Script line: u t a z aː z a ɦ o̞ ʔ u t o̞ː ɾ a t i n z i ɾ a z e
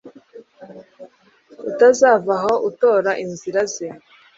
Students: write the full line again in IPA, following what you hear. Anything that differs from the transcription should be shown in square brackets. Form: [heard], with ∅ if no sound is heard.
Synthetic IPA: u t a z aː [v] a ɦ o̞ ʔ u t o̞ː ɾ a [ʔ] i n z i ɾ a z e